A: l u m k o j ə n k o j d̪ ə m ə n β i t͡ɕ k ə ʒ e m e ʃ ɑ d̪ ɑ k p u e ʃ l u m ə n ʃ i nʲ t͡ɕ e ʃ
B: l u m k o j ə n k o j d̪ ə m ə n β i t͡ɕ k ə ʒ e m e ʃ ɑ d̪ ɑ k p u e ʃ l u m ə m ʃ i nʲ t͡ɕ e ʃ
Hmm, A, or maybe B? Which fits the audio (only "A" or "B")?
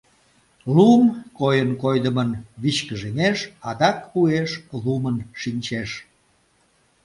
A